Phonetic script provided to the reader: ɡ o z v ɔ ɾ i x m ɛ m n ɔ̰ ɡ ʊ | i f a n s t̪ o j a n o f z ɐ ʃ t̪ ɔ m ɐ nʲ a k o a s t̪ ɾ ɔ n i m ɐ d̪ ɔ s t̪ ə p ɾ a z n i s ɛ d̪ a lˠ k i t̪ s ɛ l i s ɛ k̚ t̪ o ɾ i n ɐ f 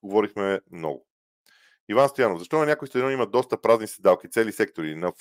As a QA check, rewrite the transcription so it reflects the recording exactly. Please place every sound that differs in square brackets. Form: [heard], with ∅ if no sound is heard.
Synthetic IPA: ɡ o [∅] v ɔ ɾ i x m ɛ m n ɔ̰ ɡ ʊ | i [v] a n s t̪ o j a n o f z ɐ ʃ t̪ ɔ [n] ɐ nʲ a k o [i] s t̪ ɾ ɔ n i m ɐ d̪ ɔ s t̪ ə p ɾ a z n i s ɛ d̪ a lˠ k i t̪ s ɛ l i s ɛ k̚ t̪ o ɾ i n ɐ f